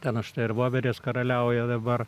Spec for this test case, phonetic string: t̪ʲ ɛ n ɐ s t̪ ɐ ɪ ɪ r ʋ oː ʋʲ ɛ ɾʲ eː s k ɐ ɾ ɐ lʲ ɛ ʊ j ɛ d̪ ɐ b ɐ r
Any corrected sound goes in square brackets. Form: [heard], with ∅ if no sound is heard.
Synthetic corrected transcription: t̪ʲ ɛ n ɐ [ʃ] t̪ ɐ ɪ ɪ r ʋ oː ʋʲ ɛ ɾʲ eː s k ɐ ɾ ɐ lʲ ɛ ʊ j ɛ d̪ ɐ b ɐ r